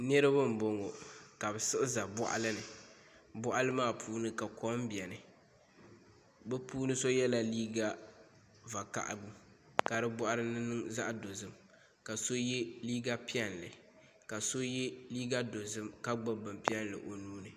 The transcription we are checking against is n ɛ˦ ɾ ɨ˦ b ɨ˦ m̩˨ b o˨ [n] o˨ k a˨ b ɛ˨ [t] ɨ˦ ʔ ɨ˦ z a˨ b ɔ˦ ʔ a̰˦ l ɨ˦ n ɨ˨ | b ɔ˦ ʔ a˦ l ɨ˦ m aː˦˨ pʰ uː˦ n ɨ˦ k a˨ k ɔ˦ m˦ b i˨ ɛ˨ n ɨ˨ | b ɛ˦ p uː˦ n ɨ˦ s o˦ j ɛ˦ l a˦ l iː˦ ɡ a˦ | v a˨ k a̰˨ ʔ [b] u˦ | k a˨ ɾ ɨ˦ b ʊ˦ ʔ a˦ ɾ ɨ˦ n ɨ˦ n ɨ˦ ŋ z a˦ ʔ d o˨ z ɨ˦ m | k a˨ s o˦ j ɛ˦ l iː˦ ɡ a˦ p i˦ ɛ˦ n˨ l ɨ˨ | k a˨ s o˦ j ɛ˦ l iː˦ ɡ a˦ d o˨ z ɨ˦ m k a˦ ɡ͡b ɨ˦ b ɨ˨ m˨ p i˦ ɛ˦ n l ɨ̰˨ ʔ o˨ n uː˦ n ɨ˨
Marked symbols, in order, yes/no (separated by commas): no, no, yes